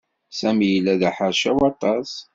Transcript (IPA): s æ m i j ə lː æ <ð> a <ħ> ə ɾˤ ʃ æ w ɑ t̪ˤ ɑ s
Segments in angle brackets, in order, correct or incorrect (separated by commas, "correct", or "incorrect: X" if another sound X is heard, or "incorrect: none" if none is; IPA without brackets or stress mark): correct, correct